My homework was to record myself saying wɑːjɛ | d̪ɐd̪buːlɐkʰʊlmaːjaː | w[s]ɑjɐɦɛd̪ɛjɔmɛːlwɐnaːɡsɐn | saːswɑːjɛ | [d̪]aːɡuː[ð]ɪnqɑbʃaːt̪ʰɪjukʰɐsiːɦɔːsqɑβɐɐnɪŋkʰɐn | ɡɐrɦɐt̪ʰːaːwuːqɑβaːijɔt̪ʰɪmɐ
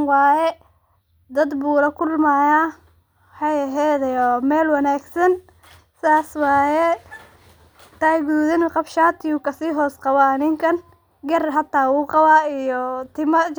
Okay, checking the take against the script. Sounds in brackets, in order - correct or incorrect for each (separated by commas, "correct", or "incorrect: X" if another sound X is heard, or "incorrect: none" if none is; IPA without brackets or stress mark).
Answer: incorrect: ħ, incorrect: t̪, correct